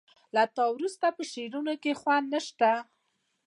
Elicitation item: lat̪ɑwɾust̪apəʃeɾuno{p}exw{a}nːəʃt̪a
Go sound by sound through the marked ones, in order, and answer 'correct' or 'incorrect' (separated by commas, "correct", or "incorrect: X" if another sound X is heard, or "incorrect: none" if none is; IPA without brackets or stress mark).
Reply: incorrect: k, correct